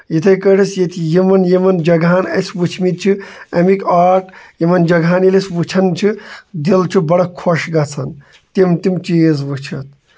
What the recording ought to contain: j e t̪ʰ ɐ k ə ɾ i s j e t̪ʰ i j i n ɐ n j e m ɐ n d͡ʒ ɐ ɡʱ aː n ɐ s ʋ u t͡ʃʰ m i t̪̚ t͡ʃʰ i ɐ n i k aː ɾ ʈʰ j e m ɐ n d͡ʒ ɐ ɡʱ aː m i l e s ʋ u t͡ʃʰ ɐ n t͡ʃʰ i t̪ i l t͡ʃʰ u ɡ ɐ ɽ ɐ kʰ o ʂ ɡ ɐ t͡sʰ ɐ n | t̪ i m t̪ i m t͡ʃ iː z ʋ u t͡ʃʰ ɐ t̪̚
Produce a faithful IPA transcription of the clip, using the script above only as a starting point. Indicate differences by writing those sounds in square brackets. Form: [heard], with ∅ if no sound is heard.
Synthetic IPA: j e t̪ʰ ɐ k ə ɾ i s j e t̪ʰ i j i [m] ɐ n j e m ɐ n d͡ʒ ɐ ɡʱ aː n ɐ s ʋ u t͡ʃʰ m i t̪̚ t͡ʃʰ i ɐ [m] i k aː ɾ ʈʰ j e m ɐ n d͡ʒ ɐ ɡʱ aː [n] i l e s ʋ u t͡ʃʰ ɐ n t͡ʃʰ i [d̪] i l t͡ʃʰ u [b] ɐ ɽ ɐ kʰ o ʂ ɡ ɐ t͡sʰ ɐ n | t̪ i m t̪ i m t͡ʃ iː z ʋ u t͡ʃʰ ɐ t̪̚